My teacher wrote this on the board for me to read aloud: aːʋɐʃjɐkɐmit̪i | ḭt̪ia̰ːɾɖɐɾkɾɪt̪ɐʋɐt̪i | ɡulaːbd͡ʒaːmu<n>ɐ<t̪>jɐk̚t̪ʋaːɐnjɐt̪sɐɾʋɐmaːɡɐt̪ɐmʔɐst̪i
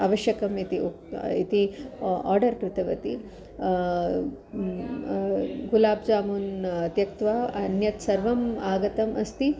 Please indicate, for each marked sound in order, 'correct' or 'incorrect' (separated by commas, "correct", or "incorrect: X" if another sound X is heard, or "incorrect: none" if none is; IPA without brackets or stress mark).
correct, correct